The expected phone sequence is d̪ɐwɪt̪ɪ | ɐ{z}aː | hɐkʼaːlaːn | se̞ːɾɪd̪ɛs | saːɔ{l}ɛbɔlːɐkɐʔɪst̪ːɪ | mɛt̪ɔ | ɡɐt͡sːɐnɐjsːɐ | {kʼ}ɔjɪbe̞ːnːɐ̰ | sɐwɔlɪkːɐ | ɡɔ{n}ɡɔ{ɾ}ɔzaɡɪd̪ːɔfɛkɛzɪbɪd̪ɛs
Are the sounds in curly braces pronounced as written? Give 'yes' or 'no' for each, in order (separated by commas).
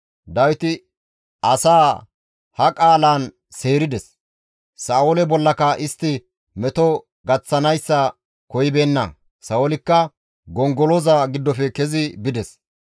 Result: no, yes, no, no, no